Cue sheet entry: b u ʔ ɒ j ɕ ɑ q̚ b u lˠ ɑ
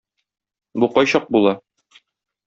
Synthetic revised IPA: b u q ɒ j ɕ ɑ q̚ b u lˠ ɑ

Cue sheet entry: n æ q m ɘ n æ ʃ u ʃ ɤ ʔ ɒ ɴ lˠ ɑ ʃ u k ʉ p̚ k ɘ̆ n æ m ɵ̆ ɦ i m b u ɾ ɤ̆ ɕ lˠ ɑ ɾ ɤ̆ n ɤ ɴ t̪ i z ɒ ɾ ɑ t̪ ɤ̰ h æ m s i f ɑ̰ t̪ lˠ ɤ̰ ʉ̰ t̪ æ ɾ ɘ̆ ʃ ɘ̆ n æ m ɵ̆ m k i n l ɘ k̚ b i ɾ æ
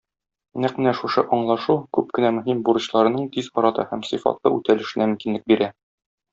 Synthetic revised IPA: n æ q m ɘ n æ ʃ u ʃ ɤ ʔ ɒ ɴ lˠ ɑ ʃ u k ʉ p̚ k ɘ̆ n æ m ɵ̆ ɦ i m b u ɾ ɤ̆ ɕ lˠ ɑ ɾ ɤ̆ n ɤ ɴ t̪ i z ɒ ɾ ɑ t̪ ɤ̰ h æ m s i f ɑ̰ t̪ lˠ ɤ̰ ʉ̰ t̪ æ l ɘ̆ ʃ ɘ̆ n æ m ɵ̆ m k i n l ɘ k̚ b i ɾ æ

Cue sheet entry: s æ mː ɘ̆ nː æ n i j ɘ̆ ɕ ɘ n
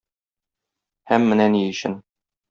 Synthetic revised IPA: h æ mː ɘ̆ n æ n i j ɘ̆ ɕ ɘ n

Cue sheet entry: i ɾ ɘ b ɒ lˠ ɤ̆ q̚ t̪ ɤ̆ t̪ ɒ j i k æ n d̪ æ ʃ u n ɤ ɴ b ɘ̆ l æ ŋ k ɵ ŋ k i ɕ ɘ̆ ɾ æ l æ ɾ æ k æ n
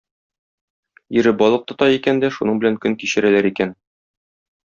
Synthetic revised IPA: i ɾ ɘ b ɒ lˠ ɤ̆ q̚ t̪ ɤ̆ t̪ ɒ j i k æ n d̪ æ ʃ u n ɤ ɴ b ɘ̆ l æ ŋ k ɵ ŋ k i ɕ ɘ̆ ɾ æ l æ ɾ i k æ n

